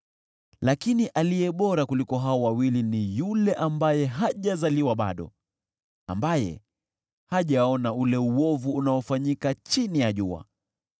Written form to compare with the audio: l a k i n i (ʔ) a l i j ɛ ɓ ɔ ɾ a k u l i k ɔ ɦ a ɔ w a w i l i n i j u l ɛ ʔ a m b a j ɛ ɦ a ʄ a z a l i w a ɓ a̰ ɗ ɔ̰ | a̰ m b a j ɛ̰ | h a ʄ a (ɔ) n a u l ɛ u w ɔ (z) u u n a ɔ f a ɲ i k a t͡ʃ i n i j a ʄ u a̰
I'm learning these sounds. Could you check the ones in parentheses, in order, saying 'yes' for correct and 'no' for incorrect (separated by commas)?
yes, yes, no